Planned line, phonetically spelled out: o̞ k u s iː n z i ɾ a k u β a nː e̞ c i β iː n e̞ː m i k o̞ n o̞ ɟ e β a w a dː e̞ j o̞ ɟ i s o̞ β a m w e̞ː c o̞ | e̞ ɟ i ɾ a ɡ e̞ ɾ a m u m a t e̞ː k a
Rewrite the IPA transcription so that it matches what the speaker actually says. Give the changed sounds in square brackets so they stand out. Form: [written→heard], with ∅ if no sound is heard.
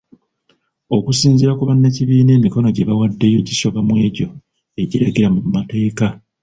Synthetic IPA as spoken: o̞ k u s iː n z i ɾ a k u β a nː e̞ c i β iː n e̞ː m i k o̞ n o̞ ɟ e β a w a dː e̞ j o̞ ɟ i s o̞ β a m w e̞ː [c→ɟ] o̞ | e̞ ɟ i ɾ a ɡ e̞ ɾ a m u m a t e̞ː k a